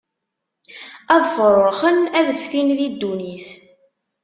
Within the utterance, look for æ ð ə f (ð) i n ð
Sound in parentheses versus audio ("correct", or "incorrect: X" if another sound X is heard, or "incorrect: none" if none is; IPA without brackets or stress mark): incorrect: θ